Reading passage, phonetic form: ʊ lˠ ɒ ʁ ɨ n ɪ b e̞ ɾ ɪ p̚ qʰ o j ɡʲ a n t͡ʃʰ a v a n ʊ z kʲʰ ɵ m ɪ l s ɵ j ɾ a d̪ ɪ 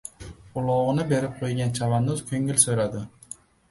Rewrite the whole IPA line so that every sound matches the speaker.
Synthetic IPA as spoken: ʊ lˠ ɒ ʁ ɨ n ɪ b e̞ ɾ ɪ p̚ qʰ o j ɡʲ a n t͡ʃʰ a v a n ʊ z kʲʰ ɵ ŋ ɪ l s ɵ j ɾ a d̪ ɪ